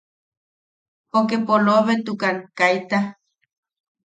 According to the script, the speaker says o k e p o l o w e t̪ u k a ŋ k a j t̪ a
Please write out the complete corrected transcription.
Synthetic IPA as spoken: o k e p o l o β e t̪ u k a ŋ k a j t̪ a